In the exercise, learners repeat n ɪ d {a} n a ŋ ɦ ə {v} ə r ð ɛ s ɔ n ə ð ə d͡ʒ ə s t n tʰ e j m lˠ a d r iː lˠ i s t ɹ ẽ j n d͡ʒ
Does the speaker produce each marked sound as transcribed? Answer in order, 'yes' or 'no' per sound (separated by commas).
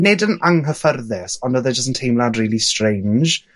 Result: no, no